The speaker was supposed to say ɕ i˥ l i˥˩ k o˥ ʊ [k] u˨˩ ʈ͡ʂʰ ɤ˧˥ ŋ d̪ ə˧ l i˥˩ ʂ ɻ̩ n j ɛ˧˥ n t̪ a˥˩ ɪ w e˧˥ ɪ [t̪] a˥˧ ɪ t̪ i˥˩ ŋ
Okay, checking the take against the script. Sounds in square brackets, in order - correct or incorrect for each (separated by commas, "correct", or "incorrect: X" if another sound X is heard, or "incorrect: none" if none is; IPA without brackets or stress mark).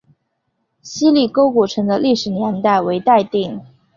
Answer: correct, correct